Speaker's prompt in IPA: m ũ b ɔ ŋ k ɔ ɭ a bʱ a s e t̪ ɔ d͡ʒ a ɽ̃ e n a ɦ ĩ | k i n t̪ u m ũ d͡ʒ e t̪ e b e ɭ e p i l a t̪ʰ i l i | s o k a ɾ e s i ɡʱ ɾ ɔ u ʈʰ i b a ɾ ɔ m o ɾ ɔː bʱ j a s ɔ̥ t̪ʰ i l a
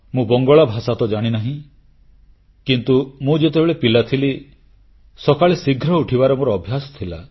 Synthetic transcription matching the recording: m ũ b ɔ ŋ ɡ ɔ ɭ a bʱ a s a t̪ ɔ d͡ʒ a ɽ̃ i n a ɦ ĩ | k i n t̪ u m ũ d͡ʒ e t̪ e b e ɭ e p i l a t̪ʰ i l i | s ɔ k a ɭ e s i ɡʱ ɾ ɔ u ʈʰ i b a ɾ ɔ m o ɾ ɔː bʱ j a s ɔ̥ t̪ʰ i l a